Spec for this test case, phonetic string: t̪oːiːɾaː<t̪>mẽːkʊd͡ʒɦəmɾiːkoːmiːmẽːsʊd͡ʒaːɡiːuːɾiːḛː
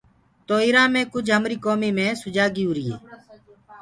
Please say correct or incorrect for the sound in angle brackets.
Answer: incorrect: none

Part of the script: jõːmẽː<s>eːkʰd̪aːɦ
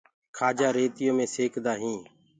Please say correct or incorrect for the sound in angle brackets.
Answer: correct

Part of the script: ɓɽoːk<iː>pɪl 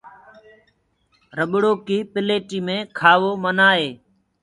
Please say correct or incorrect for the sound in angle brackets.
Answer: correct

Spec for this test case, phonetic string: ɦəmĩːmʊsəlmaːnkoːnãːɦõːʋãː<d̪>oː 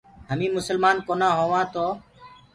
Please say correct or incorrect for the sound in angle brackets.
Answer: incorrect: t̪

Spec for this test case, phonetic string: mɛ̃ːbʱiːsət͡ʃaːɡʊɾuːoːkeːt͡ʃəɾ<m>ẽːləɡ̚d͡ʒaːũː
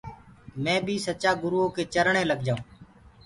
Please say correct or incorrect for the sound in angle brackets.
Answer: incorrect: ɳ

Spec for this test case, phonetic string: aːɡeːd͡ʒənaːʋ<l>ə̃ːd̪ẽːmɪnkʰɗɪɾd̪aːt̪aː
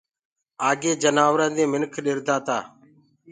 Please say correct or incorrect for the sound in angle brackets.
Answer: incorrect: ɾ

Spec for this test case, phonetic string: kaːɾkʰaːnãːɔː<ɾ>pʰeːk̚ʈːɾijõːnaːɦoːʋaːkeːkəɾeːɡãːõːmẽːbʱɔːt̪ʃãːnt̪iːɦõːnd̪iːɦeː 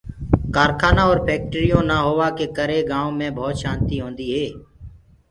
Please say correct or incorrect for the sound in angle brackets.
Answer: correct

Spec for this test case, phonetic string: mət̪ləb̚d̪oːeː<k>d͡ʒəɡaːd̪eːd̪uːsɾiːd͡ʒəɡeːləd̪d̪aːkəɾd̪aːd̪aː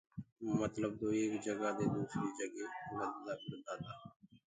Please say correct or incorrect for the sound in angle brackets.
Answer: correct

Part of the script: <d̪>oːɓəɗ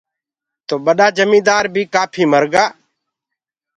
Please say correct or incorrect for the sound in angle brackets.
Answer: incorrect: t̪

